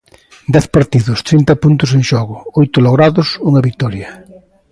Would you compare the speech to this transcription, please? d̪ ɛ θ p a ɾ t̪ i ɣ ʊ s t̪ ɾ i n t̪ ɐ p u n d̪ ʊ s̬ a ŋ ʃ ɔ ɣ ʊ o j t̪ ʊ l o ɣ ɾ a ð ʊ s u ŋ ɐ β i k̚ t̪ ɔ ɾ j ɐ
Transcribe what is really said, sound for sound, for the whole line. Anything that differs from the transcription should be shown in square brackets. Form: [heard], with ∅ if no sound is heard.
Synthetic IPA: d̪ ɛ θ p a ɾ t̪ i [ð] ʊ s t̪ ɾ i n t̪ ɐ p u n [t̪] ʊ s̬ [e] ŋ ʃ ɔ ɣ ʊ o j t̪ ʊ l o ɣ ɾ a ð ʊ s u ŋ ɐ β i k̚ t̪ ɔ ɾ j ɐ